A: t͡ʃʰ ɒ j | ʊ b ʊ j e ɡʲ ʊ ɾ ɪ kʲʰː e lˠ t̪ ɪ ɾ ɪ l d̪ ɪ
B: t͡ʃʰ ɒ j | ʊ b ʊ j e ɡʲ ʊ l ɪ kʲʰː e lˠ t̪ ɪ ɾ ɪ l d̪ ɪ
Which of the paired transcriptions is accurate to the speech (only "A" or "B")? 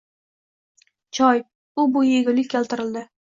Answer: B